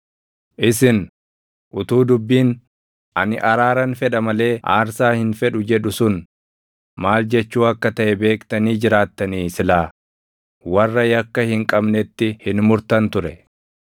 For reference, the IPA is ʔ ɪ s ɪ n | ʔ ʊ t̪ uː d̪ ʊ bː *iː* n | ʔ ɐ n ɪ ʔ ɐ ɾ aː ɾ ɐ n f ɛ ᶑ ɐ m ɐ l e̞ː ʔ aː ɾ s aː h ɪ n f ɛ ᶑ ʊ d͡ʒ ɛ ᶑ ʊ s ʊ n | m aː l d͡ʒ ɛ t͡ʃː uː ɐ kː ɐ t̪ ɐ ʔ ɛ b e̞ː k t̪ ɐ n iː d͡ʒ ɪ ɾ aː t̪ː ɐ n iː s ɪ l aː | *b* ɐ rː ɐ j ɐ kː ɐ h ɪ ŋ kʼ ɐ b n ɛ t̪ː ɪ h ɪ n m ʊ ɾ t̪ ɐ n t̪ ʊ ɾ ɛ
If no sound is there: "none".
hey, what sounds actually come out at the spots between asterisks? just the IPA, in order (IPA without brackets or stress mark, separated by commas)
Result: iː, w